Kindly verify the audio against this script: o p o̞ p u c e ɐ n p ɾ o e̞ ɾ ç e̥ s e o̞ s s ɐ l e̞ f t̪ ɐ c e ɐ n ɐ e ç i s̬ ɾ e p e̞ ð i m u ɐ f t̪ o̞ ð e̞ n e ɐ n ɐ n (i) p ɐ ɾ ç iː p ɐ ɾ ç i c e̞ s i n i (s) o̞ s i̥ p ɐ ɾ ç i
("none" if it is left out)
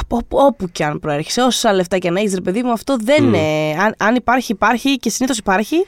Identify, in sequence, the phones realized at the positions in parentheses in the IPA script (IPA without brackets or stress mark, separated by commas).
i, θ